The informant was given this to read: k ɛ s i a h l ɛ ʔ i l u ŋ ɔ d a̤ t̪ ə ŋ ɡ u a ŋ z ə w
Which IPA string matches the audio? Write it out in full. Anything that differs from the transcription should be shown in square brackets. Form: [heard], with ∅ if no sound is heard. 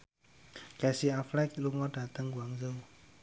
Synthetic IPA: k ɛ s i a [f] l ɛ [k] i l u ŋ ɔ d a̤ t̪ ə ŋ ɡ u a ŋ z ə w